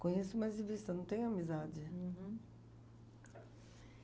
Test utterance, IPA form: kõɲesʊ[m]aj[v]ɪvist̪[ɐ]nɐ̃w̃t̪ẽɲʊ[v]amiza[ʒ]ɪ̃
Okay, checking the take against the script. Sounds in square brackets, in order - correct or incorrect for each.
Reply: correct, incorrect, correct, incorrect, incorrect

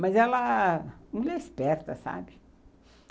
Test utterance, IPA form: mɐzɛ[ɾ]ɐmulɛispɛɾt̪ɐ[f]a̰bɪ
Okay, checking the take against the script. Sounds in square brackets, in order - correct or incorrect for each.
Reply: incorrect, incorrect

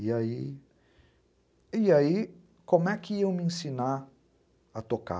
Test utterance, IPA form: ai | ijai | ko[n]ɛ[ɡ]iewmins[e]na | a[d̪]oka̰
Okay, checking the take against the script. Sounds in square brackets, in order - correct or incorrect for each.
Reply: incorrect, incorrect, incorrect, incorrect

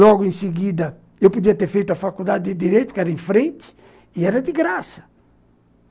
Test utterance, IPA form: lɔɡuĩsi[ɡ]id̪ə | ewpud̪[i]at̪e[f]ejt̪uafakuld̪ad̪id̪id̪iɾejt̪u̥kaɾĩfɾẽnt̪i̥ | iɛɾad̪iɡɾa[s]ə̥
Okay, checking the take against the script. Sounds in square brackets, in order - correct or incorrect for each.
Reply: correct, correct, correct, correct

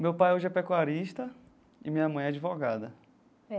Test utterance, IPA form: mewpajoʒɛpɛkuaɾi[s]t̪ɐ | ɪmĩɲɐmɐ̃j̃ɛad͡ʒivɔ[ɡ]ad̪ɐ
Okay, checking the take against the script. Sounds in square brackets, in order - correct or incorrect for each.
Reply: incorrect, correct

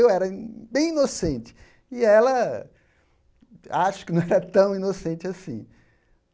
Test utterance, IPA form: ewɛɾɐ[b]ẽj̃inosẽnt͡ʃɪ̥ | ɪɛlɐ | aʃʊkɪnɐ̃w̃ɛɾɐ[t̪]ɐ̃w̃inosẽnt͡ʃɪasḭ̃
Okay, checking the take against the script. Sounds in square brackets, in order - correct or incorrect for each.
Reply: correct, correct

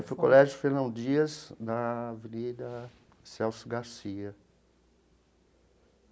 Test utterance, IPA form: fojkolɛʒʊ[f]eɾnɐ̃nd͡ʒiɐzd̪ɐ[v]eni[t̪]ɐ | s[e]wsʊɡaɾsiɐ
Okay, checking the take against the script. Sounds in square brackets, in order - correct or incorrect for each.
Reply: correct, correct, incorrect, incorrect

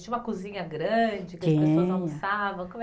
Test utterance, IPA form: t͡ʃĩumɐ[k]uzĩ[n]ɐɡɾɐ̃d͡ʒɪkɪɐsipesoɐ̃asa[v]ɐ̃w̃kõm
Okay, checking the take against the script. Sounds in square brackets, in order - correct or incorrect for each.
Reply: correct, incorrect, correct

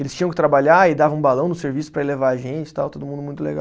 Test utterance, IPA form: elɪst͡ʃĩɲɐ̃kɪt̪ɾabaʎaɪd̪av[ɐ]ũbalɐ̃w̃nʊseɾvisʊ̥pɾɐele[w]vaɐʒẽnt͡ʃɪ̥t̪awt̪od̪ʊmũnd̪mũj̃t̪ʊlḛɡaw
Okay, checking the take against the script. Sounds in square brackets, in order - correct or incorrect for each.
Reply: incorrect, incorrect

